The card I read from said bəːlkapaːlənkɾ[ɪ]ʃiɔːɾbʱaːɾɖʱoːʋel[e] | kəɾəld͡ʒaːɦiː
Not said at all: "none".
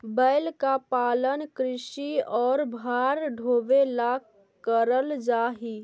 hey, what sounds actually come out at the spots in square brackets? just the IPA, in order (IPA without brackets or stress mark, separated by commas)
ɪ, a